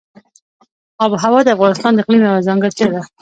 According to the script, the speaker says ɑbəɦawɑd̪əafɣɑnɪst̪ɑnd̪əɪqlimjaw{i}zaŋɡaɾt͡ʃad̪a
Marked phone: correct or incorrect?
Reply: incorrect